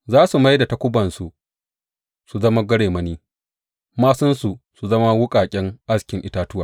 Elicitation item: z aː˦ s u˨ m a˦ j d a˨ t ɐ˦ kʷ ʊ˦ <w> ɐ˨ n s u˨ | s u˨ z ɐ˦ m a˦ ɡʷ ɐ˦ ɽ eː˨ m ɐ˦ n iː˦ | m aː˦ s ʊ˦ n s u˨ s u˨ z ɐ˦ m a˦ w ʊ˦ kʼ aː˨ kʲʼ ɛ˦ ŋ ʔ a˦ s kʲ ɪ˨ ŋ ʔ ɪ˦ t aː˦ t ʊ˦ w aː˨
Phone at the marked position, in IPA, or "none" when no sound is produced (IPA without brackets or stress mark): b